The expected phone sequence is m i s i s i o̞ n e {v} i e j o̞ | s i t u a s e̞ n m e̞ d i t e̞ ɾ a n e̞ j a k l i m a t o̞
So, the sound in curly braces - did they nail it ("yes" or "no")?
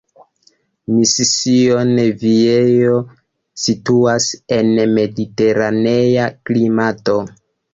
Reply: yes